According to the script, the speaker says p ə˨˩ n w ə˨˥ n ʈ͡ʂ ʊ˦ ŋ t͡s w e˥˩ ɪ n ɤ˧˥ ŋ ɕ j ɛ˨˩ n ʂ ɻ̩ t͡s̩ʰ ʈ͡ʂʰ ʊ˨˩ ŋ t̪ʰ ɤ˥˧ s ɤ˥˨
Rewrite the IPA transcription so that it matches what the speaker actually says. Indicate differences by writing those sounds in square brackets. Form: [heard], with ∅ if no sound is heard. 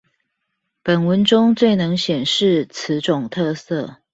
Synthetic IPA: p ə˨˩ n w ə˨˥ n ʈ͡ʂ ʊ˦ ŋ t͡s w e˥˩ ɪ n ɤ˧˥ ŋ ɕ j ɛ˨˩ n ʂ ɻ̩ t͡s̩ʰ [ʈ͡ʂ] ʊ˨˩ ŋ t̪ʰ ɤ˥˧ s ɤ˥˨